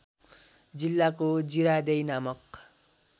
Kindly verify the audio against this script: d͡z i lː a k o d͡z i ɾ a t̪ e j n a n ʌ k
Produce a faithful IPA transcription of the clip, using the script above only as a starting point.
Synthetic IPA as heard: d͡z i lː a k o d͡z i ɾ a d̪ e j n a m ʌ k